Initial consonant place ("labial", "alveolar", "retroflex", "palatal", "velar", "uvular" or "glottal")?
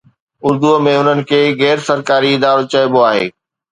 alveolar